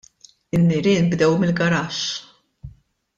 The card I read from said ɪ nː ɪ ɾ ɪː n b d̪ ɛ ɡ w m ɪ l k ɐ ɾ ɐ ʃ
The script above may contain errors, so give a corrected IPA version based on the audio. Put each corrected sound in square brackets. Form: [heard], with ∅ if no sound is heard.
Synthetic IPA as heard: ɪ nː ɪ ɾ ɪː n b d̪ ɛ [∅] w m ɪ l [ɡ] ɐ ɾ ɐ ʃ